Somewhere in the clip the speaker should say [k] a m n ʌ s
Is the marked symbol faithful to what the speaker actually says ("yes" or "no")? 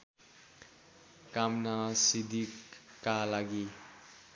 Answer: yes